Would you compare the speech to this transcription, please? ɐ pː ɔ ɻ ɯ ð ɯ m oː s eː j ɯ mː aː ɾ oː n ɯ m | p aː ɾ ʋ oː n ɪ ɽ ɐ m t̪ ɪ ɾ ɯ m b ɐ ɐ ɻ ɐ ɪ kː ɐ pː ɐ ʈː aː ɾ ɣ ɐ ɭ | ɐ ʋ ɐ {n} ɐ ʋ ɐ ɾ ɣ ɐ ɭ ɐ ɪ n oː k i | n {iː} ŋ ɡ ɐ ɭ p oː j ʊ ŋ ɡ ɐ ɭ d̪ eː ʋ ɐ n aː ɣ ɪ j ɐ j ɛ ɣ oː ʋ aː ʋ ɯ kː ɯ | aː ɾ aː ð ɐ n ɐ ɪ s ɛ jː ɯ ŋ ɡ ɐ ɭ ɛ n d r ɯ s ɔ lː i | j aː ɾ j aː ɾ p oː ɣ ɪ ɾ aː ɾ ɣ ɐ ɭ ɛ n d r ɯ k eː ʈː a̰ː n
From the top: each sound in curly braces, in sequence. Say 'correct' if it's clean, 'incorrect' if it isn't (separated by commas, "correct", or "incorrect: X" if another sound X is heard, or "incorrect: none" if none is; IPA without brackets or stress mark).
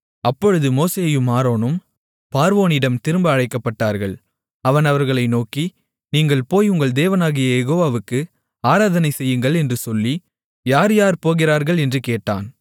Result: correct, correct